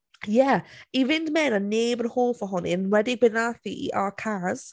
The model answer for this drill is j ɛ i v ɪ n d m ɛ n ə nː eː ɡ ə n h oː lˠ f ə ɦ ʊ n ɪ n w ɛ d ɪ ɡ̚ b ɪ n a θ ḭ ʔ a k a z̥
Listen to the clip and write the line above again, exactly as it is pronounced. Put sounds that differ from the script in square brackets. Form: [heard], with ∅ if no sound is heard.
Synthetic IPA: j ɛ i v ɪ n d m ɛ n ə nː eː [b] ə n h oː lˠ f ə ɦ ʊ n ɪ n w ɛ d ɪ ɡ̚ b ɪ n a θ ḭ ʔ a [kʰ] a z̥